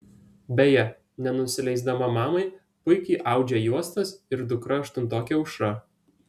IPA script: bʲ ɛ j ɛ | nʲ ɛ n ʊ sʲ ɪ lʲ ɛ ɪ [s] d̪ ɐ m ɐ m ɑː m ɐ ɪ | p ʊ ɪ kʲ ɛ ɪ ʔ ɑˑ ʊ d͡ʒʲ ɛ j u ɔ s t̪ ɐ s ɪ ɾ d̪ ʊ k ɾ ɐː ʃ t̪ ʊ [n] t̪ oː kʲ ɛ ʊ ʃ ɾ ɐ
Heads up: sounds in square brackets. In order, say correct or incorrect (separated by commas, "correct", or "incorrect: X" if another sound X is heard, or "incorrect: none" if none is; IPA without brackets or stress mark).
incorrect: z, correct